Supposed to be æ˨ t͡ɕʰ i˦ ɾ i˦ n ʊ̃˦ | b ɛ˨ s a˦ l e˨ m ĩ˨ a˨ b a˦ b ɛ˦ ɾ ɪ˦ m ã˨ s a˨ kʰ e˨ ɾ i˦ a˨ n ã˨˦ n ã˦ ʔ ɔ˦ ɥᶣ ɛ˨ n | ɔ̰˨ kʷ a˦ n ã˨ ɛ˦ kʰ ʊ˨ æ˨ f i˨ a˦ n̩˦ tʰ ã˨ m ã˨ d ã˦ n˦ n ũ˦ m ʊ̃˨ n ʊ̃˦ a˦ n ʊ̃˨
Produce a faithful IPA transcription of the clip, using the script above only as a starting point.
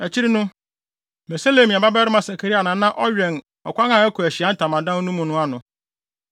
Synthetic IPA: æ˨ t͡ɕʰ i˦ ɾ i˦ n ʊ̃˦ | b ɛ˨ s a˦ l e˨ m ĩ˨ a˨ b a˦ b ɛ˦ ɾ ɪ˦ m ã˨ s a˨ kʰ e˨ ɾ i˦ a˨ n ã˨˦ n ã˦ ʔ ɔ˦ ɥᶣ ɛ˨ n | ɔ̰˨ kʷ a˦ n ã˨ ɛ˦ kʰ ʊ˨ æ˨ ɕ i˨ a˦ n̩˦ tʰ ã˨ m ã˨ d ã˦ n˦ n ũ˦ m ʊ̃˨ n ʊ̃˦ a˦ n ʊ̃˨